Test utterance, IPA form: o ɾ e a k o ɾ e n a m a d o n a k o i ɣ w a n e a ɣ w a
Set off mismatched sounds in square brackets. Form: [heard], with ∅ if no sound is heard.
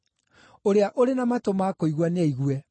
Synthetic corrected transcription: o ɾ e a [ʔ] o ɾ e n a m a [t] o [m] a k o i ɣ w a n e [i] ɣ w [ɛ]